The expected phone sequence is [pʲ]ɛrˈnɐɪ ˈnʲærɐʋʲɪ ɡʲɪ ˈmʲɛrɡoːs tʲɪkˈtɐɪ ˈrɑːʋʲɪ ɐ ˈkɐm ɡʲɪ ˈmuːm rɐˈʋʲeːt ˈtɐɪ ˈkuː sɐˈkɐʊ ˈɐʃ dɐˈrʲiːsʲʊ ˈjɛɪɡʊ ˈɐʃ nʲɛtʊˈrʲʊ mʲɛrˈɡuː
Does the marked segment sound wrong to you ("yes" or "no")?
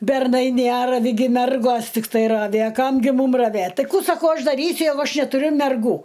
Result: yes